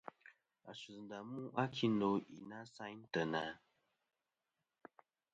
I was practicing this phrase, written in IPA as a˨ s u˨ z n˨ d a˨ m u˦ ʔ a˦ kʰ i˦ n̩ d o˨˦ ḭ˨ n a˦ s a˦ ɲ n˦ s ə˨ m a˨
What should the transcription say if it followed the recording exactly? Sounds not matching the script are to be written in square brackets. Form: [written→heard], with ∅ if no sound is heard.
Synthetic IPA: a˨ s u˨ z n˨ d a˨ m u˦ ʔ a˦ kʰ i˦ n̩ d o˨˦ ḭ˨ n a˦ s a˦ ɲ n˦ [s→t] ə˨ [m→n] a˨